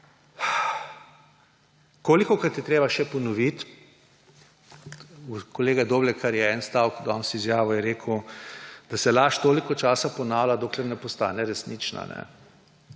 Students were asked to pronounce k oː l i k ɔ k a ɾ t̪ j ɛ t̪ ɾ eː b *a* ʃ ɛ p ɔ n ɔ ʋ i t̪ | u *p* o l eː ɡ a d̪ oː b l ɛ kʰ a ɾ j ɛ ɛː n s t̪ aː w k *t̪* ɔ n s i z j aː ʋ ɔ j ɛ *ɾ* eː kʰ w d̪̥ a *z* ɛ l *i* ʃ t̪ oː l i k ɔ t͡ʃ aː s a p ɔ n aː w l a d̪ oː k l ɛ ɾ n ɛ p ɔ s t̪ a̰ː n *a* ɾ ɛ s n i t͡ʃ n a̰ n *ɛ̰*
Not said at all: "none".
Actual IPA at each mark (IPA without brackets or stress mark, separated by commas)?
a, k, d̪, ɾ, s, a, ɛ, ɛ̰